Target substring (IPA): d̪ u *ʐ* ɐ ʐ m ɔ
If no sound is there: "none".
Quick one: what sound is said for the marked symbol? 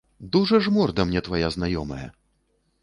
ʐ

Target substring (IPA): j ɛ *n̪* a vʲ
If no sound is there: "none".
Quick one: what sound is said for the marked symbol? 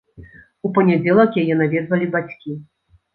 n̪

